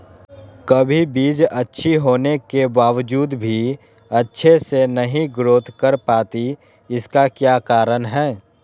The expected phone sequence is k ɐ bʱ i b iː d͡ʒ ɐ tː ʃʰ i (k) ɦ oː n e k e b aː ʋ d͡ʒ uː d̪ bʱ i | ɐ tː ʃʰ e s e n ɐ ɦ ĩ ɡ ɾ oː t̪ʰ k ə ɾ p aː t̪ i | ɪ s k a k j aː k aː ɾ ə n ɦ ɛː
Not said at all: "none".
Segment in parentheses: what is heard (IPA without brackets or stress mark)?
none